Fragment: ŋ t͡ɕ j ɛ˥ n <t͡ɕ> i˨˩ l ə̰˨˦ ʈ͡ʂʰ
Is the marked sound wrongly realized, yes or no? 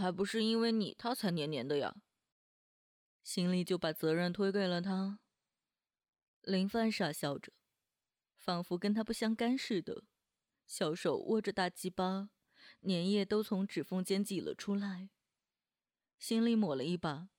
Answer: no